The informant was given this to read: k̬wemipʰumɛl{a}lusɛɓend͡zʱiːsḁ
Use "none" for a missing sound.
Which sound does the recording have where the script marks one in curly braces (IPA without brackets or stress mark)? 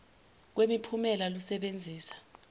a